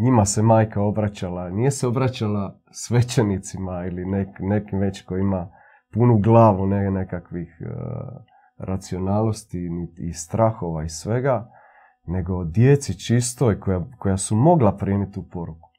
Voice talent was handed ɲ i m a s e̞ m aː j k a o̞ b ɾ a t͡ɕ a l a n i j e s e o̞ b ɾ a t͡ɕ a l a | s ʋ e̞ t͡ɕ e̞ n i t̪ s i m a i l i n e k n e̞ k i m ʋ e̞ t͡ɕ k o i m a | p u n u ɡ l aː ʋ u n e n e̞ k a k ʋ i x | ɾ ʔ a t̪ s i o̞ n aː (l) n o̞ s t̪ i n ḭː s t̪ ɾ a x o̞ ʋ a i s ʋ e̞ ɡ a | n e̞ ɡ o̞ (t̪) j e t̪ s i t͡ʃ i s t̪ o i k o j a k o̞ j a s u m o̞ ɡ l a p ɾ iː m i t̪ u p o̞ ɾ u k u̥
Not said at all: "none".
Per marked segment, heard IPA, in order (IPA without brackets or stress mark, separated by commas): l, d̪